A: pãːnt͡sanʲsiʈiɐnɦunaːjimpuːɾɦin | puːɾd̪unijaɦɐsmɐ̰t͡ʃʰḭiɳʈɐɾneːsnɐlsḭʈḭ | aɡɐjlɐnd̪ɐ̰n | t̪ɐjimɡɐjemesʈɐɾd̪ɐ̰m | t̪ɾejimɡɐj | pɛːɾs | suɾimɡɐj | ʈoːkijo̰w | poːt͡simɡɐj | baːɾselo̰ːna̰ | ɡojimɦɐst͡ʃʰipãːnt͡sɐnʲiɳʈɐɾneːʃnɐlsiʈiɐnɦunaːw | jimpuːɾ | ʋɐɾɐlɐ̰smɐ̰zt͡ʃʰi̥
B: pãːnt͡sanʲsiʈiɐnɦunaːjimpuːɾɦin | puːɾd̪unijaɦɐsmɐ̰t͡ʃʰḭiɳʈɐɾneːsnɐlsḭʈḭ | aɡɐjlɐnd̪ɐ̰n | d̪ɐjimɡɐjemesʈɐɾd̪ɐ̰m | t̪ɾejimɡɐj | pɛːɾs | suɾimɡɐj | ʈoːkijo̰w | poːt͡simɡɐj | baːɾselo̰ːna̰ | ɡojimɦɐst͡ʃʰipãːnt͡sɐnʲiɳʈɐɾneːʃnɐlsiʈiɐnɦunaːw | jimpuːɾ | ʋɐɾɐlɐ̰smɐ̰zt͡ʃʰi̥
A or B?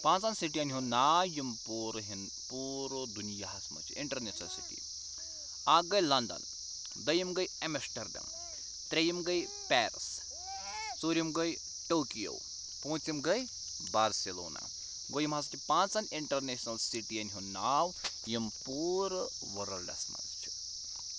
B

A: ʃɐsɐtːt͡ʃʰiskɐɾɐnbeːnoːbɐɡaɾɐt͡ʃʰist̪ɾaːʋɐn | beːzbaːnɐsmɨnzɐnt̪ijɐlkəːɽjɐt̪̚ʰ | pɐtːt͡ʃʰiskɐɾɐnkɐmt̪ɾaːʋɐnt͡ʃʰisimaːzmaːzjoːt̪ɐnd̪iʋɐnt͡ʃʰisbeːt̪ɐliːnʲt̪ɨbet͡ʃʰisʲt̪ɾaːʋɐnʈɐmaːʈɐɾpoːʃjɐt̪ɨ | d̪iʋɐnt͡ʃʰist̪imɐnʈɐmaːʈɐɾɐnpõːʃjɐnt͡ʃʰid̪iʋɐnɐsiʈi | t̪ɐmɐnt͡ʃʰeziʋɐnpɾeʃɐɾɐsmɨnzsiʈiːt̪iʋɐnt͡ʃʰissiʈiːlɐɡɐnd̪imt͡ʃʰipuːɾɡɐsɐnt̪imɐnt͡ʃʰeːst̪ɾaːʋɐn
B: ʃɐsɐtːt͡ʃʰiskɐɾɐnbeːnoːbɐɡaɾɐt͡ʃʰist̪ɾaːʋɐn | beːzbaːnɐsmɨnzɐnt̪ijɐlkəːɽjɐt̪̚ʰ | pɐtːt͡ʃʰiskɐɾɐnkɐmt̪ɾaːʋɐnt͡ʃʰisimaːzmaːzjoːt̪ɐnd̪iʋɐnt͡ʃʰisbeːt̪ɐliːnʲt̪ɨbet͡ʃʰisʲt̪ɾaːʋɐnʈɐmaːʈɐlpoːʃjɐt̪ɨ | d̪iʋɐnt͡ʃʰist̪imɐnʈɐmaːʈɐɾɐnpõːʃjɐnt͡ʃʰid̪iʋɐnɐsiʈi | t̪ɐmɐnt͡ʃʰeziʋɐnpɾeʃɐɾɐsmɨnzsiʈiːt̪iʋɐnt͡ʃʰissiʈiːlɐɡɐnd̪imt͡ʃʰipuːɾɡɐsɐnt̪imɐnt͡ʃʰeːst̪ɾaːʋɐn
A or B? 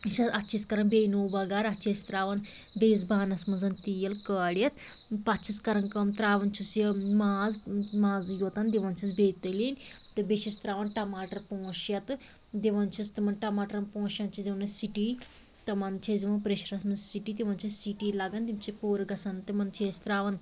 A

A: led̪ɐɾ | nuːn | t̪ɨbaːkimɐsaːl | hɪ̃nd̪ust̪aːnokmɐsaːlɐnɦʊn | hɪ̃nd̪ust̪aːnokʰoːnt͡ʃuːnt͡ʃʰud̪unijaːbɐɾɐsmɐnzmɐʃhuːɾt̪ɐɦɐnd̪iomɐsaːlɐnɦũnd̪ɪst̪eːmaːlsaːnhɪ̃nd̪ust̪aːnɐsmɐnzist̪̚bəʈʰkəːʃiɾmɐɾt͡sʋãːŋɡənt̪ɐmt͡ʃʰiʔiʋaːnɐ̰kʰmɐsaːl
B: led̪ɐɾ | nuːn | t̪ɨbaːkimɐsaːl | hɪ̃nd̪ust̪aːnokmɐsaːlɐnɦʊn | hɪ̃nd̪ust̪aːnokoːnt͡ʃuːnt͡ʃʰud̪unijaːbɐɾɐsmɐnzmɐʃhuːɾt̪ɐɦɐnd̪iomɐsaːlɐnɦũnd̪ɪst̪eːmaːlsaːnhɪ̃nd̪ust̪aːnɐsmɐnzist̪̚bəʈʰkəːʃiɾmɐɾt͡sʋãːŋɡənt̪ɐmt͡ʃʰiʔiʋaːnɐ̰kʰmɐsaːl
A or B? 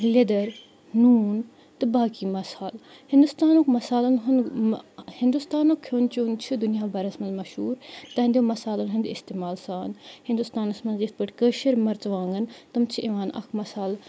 A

